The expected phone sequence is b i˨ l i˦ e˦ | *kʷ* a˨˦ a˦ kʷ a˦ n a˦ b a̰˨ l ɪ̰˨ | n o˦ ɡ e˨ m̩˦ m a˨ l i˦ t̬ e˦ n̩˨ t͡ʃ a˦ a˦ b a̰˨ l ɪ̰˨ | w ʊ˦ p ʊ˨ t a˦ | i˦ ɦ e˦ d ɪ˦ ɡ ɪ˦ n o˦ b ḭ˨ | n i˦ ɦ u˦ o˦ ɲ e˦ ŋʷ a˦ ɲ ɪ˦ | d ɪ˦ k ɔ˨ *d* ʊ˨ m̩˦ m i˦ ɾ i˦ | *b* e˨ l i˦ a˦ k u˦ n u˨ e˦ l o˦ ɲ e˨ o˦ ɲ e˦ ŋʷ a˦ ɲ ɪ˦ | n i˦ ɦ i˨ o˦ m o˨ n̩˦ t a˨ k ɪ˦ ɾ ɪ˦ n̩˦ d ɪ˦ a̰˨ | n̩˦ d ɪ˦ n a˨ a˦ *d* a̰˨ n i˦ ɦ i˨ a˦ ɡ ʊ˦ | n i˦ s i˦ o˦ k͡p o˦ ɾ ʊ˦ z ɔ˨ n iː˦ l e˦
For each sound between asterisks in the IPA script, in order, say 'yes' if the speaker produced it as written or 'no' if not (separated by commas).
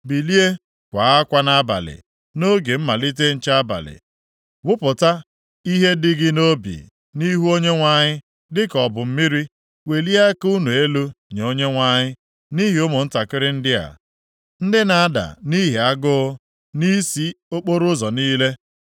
yes, no, no, yes